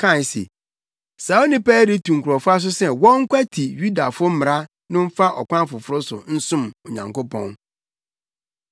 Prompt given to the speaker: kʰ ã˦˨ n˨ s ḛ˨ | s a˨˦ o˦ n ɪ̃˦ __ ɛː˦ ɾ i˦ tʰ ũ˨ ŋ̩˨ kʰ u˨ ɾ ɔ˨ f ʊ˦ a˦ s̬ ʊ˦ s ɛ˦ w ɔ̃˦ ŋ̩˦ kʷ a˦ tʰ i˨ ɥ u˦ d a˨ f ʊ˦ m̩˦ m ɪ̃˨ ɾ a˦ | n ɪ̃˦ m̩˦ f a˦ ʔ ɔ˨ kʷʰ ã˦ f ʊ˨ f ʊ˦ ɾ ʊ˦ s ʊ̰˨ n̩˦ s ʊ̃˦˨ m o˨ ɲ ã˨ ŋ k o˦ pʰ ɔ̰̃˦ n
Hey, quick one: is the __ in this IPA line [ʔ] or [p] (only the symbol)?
p